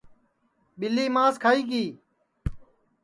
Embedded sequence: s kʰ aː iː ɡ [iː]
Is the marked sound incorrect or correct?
correct